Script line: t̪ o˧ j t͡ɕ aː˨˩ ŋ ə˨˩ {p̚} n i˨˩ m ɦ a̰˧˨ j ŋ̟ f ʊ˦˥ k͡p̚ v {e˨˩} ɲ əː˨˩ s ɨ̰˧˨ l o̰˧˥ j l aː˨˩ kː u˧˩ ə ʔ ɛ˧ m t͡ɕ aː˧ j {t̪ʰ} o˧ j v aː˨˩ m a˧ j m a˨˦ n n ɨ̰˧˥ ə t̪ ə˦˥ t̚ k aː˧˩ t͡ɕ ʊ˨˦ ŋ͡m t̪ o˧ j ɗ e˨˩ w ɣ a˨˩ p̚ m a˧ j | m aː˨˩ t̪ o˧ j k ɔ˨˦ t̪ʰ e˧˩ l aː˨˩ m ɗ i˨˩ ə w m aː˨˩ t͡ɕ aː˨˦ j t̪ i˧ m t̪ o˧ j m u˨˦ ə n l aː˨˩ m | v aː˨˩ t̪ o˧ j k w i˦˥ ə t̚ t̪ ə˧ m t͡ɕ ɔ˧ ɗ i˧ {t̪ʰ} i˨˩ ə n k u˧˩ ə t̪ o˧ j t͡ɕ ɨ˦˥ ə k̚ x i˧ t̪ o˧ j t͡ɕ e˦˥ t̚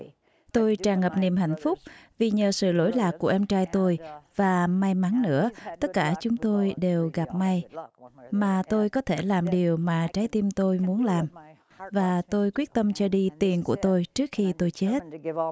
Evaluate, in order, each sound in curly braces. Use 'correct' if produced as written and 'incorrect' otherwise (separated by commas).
correct, incorrect, incorrect, incorrect